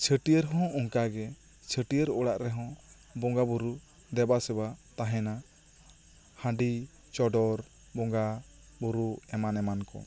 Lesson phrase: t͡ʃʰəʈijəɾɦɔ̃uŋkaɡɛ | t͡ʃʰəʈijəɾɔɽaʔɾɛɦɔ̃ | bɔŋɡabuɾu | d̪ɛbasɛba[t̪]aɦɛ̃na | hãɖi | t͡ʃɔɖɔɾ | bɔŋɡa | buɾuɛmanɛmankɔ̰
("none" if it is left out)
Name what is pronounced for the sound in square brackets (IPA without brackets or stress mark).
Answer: t̪